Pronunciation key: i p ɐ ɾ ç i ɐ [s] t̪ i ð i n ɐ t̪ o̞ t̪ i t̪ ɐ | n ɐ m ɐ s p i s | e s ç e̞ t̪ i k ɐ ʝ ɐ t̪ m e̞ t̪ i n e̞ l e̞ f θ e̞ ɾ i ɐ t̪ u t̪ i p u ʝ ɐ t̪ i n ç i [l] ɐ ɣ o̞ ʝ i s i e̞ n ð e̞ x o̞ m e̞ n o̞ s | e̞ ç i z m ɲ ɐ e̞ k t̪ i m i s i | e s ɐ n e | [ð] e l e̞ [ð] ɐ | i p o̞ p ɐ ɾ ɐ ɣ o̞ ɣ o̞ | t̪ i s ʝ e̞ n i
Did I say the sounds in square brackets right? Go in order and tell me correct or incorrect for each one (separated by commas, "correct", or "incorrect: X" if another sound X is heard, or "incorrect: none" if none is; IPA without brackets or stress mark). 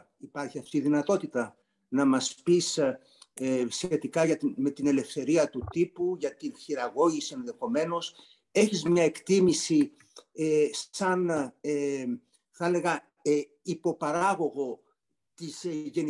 incorrect: f, incorrect: ɾ, incorrect: θ, incorrect: ɣ